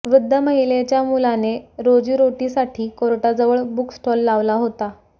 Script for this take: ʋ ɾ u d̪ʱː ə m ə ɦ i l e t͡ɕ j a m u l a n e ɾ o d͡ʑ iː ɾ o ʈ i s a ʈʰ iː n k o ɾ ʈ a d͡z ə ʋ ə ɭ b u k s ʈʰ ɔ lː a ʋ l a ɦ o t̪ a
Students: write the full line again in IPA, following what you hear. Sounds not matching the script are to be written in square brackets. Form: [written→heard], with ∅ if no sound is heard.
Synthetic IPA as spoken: ʋ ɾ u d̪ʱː ə m ə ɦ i l e t͡ɕ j a m u l a n e ɾ o d͡ʑ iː ɾ o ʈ i s a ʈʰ iː [n→∅] k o ɾ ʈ a d͡z ə ʋ ə ɭ b u k s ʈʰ ɔ lː a ʋ l a ɦ o t̪ a

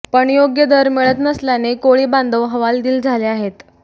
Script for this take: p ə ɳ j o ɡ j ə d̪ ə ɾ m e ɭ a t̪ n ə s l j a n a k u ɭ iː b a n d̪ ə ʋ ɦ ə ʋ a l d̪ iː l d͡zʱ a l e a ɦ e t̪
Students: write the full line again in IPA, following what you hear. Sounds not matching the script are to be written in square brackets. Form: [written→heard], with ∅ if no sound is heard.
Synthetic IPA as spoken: p ə ɳ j o ɡ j ə d̪ ə ɾ m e ɭ [a→ə] t̪ n ə s l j a n [a→e] k [u→o] ɭ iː b a n d̪ ə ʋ ɦ ə ʋ a l d̪ iː l d͡zʱ a l e a ɦ e t̪

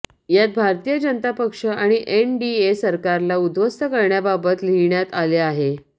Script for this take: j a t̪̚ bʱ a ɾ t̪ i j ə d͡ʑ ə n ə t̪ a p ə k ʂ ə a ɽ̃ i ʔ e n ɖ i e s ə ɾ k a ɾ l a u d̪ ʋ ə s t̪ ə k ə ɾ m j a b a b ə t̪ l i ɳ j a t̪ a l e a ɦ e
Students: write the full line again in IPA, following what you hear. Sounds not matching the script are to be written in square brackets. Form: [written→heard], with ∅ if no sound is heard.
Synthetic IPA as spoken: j a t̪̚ bʱ a ɾ t̪ i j ə d͡ʑ ə n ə t̪ a p ə k ʂ ə a ɽ̃ i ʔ e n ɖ i e s ə ɾ k a ɾ l a u d̪ ʋ ə s t̪ ə k ə ɾ [m→ɳ] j a b a b ə t̪ l i ɳ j a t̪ a l e a ɦ e

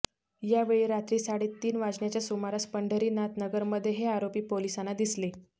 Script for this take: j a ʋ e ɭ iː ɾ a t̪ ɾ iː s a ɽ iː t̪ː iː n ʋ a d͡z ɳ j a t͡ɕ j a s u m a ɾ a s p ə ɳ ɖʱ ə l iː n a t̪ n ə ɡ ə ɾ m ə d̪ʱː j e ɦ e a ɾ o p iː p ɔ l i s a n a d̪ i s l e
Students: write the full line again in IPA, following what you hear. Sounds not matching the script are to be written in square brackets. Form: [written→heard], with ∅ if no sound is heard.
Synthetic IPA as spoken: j a ʋ e ɭ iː ɾ a t̪ ɾ iː s a ɽ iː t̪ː iː n ʋ a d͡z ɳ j a t͡ɕ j a s u m a ɾ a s p ə ɳ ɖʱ ə [l→ɾ] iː n a t̪ n ə ɡ ə ɾ m ə d̪ʱː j e ɦ e a ɾ o p iː p [ɔ→o] l i s a n a d̪ i s l e

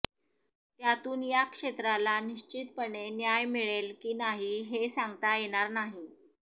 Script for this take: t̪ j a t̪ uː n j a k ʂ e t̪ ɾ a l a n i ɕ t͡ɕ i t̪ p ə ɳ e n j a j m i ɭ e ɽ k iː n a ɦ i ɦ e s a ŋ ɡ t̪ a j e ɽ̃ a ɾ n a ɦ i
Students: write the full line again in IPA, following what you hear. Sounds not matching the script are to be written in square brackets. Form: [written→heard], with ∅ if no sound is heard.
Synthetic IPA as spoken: t̪ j a t̪ uː n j a k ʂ e t̪ ɾ a l a n i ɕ t͡ɕ i t̪ p ə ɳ e n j a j m i ɭ e [ɽ→l] k iː n a ɦ i ɦ e s a ŋ ɡ t̪ a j e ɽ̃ a ɾ n a ɦ i

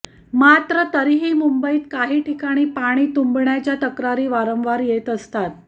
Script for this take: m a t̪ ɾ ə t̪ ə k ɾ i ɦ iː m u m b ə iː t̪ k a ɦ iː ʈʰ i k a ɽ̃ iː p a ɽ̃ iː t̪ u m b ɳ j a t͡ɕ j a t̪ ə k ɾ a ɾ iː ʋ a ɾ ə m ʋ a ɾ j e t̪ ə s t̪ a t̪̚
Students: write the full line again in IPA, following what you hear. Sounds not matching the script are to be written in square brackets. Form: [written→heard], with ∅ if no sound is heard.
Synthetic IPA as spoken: m a t̪ ɾ ə t̪ ə [k→∅] ɾ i ɦ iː m u m b ə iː t̪ k a ɦ iː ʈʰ i k a ɽ̃ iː p a ɽ̃ iː t̪ u m b ɳ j a t͡ɕ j a t̪ ə k ɾ a ɾ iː ʋ a ɾ ə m ʋ a ɾ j e t̪ ə s t̪ a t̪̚

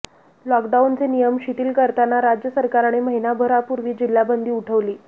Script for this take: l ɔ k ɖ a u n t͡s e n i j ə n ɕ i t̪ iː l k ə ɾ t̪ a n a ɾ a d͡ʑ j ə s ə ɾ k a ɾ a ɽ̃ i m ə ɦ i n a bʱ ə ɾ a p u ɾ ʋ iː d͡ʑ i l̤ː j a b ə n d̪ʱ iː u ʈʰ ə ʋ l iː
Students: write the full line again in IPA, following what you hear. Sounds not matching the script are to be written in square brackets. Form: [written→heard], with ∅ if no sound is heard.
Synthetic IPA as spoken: l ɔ k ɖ a u n t͡s e n i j ə [n→m] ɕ i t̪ iː l k ə ɾ t̪ a n a ɾ a d͡ʑ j ə s ə ɾ k a ɾ a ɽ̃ i m ə ɦ i n a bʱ ə ɾ a p u ɾ ʋ iː d͡ʑ i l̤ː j a b ə n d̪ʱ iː u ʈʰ ə ʋ l iː

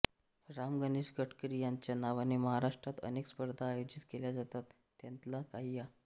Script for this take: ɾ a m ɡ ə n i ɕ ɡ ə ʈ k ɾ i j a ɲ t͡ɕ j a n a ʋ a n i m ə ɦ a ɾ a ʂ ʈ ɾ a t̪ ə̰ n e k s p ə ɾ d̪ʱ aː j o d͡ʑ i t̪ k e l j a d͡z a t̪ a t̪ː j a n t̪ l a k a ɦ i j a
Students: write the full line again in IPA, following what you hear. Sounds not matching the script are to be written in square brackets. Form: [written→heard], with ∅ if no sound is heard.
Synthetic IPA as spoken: ɾ a m ɡ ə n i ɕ ɡ ə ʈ k ɾ i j a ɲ t͡ɕ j a n a ʋ a n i m ə ɦ a ɾ a ʂ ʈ ɾ a t̪ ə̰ n e k s p ə ɾ d̪ʱ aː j o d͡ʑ i t̪ k e l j a d͡z a t̪ a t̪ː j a n t̪ l a k a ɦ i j a

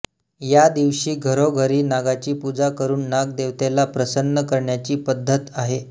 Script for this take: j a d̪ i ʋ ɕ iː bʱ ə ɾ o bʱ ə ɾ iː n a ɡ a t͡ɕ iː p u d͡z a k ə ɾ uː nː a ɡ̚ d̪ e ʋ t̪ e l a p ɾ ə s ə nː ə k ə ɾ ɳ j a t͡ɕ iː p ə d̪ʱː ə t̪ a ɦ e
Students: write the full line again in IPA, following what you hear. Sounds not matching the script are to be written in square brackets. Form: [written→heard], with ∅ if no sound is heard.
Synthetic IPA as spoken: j a d̪ i ʋ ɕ iː [bʱ→ɡʱ] ə ɾ o [bʱ→ɡʱ] ə ɾ iː n a ɡ a t͡ɕ iː p u d͡z a k ə ɾ uː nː a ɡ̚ d̪ e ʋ t̪ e l a p ɾ ə s ə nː ə k ə ɾ ɳ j a t͡ɕ iː p ə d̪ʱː ə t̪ a ɦ e

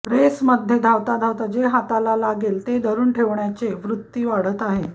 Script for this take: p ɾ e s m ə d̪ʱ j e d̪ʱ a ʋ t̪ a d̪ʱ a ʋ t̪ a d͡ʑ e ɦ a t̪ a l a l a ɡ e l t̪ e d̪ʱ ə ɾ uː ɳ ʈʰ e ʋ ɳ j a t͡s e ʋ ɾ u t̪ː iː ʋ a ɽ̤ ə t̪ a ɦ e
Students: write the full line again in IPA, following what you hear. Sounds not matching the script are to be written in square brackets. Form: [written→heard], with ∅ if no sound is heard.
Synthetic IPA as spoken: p ɾ e s m ə d̪ʱ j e d̪ʱ a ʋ t̪ a d̪ʱ a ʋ t̪ a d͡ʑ e ɦ a t̪ a l a l a ɡ e l t̪ e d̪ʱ ə ɾ uː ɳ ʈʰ e ʋ ɳ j a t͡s e ʋ ɾ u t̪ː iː ʋ a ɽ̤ ə t̪ a ɦ e

